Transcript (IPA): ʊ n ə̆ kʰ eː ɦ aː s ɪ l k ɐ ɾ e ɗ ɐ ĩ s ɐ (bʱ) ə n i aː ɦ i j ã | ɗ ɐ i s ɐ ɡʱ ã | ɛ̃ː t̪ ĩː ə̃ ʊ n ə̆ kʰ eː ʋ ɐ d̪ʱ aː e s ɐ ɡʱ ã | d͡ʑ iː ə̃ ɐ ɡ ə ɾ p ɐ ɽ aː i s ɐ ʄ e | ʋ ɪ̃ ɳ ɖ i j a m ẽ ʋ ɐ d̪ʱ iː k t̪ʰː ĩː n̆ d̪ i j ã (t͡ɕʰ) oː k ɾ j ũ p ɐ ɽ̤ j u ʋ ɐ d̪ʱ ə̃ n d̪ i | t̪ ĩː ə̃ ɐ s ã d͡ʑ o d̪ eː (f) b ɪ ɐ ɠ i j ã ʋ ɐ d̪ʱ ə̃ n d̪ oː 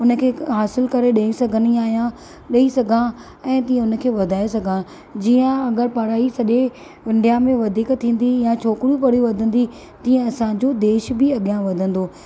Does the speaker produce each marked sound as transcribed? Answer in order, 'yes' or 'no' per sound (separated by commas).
no, yes, no